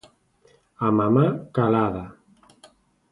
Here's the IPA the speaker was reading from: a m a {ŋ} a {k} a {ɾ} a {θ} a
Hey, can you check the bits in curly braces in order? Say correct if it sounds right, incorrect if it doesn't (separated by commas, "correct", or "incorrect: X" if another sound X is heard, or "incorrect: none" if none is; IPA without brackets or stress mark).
incorrect: m, correct, incorrect: l, incorrect: ð